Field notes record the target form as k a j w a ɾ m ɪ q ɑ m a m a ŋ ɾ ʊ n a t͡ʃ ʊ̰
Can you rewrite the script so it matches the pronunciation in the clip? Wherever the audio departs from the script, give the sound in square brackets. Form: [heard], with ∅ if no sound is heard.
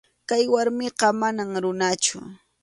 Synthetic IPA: k a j w a ɾ m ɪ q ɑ m a [n] a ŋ ɾ ʊ n a t͡ʃ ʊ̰